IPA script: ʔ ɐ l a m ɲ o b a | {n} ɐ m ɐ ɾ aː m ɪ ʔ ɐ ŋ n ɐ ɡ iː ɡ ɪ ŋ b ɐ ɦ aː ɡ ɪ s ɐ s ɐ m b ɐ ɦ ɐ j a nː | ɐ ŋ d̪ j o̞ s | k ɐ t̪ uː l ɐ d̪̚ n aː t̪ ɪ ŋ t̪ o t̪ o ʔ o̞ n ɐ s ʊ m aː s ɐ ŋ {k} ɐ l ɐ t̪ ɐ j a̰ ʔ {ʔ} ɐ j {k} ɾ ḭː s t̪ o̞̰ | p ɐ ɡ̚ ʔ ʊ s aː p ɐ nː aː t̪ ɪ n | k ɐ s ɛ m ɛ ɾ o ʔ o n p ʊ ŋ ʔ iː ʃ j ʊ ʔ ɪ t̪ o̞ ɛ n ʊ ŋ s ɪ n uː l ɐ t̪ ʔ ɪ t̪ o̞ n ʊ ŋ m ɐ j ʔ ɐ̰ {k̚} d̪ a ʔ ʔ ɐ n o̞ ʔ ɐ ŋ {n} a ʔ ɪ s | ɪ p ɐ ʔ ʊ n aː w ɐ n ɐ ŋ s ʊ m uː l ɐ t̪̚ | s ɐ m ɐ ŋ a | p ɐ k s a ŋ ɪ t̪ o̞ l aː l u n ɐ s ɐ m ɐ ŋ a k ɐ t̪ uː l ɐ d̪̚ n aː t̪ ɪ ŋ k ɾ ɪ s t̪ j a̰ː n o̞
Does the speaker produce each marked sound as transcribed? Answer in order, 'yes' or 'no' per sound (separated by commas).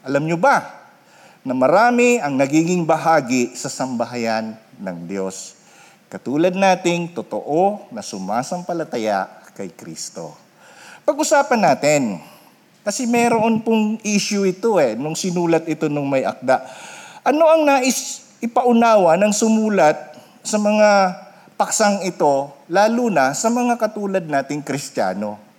yes, no, no, yes, yes, yes